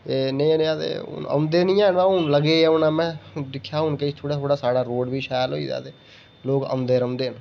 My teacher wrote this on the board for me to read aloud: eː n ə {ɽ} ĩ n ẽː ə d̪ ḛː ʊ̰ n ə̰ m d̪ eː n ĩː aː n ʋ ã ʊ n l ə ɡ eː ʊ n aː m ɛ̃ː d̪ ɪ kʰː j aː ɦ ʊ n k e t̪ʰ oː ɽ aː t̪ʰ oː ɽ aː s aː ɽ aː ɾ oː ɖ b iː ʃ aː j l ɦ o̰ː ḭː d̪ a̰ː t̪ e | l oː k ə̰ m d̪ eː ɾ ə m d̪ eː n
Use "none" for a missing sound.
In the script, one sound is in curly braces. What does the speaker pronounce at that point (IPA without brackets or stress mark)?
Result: none